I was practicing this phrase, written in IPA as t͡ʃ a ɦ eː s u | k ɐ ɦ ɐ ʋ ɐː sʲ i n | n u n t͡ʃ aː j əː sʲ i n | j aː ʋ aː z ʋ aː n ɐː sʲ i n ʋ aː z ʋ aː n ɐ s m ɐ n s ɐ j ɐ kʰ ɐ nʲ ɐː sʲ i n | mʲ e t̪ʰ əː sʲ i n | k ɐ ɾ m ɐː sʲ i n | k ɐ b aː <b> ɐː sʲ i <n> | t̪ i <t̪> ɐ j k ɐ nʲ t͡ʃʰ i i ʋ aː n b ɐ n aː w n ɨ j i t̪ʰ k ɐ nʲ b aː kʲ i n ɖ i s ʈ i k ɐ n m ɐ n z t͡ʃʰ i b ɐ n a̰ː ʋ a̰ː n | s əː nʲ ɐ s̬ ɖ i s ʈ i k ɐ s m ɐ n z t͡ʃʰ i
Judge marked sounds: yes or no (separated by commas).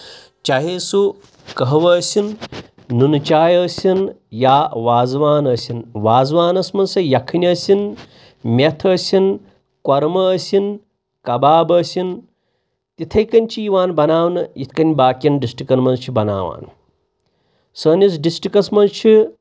yes, yes, no